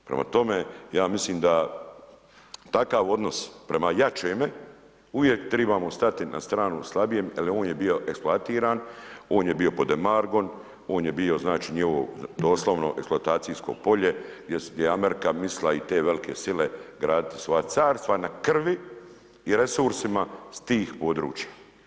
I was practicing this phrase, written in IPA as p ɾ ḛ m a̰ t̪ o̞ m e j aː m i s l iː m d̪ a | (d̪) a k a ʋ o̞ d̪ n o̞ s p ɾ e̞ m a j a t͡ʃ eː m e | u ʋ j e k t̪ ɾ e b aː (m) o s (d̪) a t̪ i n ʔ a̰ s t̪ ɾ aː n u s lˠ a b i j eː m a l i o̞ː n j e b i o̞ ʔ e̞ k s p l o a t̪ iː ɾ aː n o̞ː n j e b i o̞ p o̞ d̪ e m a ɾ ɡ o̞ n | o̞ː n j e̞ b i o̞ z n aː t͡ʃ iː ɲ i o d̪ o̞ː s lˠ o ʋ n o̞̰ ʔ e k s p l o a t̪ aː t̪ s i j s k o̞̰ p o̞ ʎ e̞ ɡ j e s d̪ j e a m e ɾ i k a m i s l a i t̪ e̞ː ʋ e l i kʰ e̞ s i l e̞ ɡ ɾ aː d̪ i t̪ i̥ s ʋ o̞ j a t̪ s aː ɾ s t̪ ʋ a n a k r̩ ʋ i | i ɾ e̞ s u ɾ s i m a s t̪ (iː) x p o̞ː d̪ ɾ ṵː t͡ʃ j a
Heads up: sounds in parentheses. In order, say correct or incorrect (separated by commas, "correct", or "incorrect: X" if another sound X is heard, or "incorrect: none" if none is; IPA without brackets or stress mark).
incorrect: t̪, correct, incorrect: t̪, correct